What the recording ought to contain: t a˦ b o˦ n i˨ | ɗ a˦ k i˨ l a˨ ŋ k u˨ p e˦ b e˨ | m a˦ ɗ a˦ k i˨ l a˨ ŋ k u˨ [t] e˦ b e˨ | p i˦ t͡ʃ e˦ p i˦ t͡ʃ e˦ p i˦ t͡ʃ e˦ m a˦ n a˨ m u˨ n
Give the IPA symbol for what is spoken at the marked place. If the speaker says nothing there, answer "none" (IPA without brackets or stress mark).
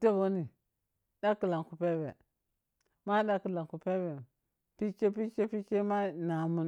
p